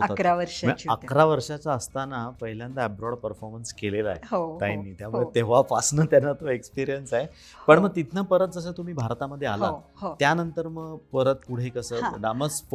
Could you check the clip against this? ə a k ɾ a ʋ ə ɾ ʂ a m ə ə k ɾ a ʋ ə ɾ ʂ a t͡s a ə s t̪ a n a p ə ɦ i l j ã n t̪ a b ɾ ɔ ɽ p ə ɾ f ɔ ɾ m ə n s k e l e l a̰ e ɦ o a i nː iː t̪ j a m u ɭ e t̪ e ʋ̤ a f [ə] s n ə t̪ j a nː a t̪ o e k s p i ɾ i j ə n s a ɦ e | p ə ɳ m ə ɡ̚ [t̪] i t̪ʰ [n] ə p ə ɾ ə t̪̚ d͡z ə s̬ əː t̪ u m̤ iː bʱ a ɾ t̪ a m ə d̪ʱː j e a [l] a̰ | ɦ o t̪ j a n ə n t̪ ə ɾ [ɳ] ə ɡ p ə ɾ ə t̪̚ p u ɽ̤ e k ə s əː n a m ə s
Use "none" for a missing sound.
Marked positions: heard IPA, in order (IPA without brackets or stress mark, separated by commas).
a, t̪, n, l, m